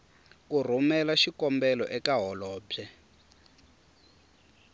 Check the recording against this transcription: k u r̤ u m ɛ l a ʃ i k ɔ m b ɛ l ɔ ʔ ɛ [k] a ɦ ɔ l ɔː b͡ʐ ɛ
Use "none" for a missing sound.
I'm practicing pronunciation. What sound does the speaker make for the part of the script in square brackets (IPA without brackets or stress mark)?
k